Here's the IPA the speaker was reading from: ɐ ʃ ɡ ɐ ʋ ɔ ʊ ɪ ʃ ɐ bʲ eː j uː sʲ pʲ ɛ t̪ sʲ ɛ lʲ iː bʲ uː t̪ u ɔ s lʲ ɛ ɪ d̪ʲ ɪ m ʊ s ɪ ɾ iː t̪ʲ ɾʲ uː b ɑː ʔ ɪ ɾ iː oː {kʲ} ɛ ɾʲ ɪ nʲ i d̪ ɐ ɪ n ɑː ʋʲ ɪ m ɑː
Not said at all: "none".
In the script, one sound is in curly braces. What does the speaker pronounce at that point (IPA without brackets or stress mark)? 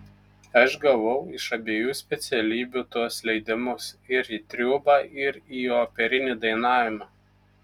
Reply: pʲ